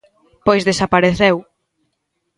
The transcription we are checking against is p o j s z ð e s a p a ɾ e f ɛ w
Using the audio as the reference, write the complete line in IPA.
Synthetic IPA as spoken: p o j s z ð e s a p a ɾ e θ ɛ w